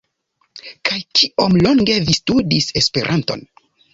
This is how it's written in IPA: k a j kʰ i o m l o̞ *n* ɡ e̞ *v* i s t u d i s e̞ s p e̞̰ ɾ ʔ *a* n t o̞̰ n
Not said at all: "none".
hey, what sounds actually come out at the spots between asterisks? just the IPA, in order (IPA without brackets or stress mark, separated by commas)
ŋ, v, a